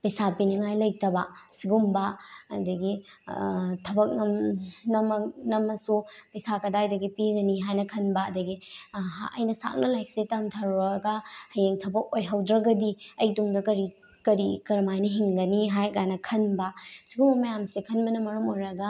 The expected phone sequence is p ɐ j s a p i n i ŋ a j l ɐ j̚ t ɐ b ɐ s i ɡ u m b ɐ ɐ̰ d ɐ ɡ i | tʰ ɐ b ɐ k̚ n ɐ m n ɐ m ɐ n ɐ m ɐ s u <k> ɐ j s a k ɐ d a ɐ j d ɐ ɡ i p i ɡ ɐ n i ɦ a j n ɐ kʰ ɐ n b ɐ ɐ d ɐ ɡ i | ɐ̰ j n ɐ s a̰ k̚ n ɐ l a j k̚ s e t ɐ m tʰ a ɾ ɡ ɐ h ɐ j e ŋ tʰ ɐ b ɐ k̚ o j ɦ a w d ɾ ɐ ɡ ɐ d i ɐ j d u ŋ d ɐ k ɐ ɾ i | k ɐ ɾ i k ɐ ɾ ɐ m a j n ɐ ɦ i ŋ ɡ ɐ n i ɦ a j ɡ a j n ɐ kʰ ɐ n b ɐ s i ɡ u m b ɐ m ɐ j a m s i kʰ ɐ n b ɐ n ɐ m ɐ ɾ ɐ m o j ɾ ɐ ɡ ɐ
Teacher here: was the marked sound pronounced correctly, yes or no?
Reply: no